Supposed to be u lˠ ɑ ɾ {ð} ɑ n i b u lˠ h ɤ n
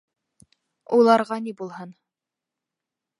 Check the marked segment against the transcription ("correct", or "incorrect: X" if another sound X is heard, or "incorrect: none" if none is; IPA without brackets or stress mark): incorrect: ʁ